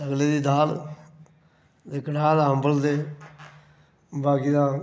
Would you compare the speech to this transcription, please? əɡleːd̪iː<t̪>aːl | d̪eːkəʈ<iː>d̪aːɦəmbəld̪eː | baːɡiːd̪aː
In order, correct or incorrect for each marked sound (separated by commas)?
incorrect, incorrect